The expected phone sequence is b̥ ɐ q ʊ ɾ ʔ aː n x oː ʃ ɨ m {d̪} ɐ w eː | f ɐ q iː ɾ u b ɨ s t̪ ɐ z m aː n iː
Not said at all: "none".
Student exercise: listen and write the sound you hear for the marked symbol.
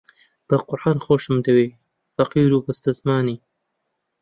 d̪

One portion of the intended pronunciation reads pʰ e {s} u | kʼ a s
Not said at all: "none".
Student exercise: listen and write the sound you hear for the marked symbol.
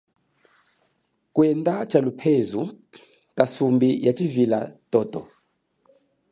z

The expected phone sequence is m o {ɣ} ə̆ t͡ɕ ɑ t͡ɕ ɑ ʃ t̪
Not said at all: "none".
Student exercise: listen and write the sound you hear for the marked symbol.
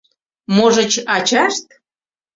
ʒ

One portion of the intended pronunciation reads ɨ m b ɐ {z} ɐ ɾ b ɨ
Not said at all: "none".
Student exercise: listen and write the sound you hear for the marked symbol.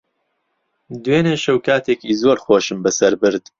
s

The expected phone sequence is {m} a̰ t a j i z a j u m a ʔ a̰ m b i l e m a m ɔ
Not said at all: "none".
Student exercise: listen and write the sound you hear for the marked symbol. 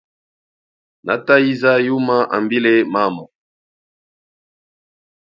n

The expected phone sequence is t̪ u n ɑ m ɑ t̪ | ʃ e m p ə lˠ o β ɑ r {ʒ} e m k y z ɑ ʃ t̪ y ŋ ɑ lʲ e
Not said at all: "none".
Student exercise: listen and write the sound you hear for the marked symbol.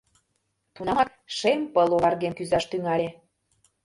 ɣ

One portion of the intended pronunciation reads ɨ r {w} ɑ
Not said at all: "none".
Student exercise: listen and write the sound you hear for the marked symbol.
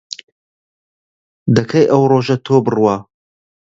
w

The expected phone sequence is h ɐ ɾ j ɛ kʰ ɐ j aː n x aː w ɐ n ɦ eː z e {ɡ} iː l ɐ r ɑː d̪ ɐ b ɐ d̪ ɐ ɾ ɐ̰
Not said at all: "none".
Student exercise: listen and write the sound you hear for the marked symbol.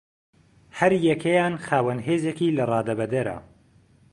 k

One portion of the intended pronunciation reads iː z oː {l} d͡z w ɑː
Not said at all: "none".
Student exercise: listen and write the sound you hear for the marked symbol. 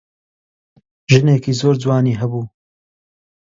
ɾ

